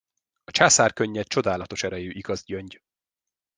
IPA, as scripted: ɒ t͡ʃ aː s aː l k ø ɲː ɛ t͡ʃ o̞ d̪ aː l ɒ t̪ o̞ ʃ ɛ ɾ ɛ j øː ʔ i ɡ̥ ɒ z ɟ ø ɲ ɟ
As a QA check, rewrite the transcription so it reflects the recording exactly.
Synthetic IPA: ɒ t͡ʃ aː s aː r k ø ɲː ɛ t͡ʃ o̞ d̪ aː l ɒ t̪ o̞ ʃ ɛ ɾ ɛ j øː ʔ i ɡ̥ ɒ z ɟ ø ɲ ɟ